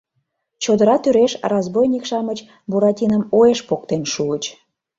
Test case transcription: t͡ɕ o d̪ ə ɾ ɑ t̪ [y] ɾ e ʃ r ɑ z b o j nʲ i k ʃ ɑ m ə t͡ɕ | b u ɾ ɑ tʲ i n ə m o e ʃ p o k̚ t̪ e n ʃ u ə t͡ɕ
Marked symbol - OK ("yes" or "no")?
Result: yes